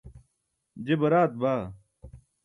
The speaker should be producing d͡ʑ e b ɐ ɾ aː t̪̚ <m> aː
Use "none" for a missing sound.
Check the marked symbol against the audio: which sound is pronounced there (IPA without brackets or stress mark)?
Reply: b